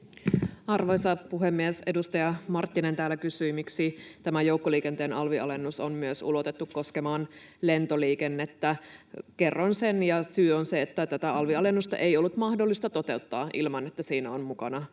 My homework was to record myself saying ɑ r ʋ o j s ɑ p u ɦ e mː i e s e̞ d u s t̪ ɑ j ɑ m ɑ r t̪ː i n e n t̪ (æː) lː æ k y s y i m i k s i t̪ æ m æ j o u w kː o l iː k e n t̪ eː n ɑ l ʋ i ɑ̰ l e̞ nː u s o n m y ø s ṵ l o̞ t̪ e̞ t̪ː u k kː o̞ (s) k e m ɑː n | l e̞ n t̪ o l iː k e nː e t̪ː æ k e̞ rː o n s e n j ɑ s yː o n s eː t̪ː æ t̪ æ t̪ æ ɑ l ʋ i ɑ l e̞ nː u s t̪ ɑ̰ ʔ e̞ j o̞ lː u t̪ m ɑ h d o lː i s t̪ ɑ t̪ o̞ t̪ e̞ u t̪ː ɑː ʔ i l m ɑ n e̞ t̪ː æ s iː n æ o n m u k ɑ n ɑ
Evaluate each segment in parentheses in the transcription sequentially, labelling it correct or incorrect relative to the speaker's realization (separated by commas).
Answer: correct, correct